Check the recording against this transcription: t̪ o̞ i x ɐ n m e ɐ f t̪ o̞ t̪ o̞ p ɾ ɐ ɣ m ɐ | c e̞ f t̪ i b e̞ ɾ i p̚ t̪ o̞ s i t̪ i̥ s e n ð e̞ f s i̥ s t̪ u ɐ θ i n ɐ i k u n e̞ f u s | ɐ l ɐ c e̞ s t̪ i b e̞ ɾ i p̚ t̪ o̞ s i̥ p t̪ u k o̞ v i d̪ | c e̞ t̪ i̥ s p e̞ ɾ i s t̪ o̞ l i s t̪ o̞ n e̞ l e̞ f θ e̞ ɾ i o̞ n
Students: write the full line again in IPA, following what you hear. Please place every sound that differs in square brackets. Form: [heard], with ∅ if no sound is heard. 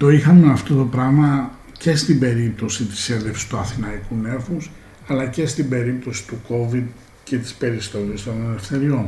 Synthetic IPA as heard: t̪ o̞ i x ɐ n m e ɐ f t̪ o̞ t̪ o̞ p ɾ ɐ ɣ m ɐ | c e̞ [s] t̪ i b e̞ ɾ i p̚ t̪ o̞ s i t̪ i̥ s e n ð e̞ f s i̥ s t̪ u ɐ θ i n ɐ i k u n e̞ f u s | ɐ l ɐ c e̞ s t̪ i b e̞ ɾ i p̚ t̪ o̞ s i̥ [∅] t̪ u k o̞ v i d̪ | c e̞ t̪ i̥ s p e̞ ɾ i s t̪ o̞ l i s t̪ o̞ n e̞ l e̞ f θ e̞ ɾ i o̞ n